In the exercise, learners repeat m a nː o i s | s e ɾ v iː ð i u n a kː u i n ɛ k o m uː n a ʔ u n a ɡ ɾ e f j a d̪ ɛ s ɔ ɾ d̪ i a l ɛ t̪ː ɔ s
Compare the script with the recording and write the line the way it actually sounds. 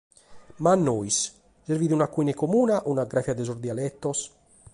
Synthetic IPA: m a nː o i s | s e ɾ v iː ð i u n a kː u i n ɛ k o m uː n a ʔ u n a ɡ ɾ a f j a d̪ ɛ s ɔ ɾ d̪ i a l ɛ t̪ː ɔ s